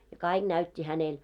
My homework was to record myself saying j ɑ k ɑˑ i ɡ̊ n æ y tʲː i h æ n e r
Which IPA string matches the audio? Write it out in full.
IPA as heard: j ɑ k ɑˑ i ɡ̊ n æ y tʲː i h æ n e l